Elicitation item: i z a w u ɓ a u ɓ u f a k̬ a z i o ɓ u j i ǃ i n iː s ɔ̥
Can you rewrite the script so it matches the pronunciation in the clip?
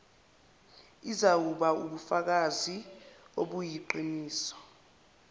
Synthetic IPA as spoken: i z a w u ɓ a u ɓ u f a k̬ a z i o ɓ u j i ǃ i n iː s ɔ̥